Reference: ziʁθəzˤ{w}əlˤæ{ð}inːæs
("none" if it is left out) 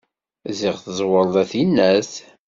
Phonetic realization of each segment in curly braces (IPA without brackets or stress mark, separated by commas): w, θ